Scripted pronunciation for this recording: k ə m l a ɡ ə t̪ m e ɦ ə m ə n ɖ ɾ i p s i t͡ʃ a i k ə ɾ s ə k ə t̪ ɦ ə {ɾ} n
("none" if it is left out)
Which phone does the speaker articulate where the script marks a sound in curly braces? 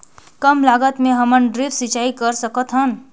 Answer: none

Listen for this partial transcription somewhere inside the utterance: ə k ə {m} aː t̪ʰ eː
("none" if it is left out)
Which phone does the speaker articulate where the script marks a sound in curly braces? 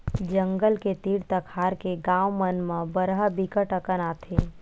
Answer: n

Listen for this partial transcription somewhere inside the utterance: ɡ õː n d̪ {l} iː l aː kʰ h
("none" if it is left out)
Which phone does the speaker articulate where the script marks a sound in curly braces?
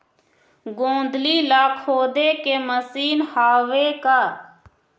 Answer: l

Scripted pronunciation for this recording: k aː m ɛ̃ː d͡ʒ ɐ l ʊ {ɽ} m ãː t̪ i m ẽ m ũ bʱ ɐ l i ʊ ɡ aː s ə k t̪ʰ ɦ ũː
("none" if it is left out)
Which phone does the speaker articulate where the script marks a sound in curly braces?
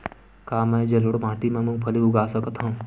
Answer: ɽ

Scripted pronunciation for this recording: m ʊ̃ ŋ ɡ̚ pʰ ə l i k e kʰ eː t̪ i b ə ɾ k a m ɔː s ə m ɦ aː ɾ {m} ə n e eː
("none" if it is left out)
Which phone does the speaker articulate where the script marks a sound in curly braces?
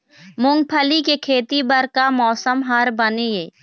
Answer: b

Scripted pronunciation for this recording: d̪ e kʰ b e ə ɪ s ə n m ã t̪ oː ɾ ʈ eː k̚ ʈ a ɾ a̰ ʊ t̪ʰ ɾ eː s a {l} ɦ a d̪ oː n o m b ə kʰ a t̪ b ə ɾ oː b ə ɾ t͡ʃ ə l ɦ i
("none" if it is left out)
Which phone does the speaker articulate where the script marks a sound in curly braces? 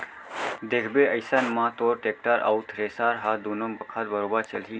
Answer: ɾ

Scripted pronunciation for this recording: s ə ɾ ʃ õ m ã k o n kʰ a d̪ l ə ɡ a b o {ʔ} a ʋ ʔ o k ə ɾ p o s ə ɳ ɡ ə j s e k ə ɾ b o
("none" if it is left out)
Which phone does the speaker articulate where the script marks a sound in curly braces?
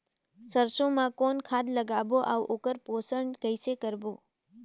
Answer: ʔ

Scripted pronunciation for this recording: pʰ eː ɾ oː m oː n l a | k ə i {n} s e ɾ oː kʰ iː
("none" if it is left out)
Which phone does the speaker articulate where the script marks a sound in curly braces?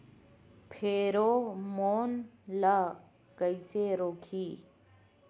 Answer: none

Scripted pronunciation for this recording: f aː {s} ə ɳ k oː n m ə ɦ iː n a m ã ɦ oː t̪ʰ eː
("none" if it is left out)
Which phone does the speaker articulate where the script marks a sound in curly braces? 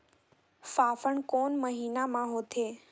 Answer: f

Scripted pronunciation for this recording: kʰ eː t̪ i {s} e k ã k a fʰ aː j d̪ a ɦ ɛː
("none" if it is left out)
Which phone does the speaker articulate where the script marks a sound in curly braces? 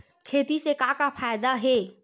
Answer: s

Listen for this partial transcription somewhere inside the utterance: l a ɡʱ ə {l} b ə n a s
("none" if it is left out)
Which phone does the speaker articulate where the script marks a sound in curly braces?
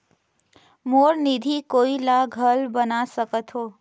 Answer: l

